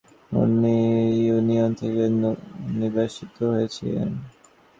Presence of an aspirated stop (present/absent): present